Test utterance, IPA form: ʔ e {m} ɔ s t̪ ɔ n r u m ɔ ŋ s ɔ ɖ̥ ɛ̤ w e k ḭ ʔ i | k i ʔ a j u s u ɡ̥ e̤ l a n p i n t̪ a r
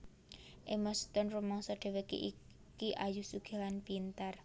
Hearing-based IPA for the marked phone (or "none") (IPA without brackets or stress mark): m